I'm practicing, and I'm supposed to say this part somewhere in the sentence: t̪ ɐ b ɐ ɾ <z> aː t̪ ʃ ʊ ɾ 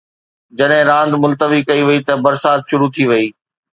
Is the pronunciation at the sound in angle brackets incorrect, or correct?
incorrect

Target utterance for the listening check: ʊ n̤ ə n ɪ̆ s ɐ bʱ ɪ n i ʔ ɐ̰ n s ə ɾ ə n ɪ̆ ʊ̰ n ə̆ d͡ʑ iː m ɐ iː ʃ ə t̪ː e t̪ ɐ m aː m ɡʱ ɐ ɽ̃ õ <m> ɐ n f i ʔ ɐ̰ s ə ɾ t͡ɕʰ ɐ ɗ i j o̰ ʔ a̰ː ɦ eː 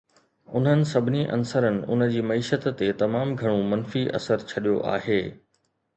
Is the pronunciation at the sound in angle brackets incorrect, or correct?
correct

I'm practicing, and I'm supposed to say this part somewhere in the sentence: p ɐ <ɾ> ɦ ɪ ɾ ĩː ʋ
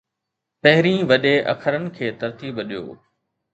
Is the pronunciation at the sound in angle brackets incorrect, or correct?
incorrect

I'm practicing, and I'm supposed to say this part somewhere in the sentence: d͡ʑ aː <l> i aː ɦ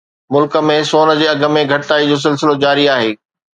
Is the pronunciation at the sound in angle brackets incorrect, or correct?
incorrect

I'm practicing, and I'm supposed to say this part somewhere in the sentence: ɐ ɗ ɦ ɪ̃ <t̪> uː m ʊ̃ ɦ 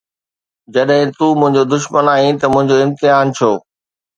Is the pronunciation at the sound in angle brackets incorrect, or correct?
correct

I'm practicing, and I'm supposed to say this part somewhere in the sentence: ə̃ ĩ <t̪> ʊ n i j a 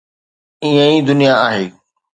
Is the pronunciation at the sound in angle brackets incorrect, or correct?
incorrect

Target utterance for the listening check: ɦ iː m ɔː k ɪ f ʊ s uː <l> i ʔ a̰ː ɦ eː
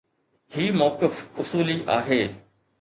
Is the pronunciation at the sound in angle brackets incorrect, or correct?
correct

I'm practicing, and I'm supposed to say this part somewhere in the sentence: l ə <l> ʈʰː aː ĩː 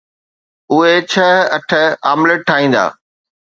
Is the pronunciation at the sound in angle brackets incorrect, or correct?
incorrect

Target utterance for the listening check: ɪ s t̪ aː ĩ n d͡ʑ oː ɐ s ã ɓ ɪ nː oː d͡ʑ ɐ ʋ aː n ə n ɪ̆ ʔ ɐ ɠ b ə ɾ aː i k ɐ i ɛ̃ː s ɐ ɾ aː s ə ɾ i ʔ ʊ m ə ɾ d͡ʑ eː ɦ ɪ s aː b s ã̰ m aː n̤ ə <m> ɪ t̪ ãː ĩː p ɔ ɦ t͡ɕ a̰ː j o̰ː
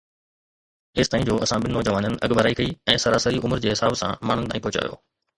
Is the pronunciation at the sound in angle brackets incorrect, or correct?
incorrect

